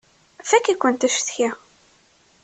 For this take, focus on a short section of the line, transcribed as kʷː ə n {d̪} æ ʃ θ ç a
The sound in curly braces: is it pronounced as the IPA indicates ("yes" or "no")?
no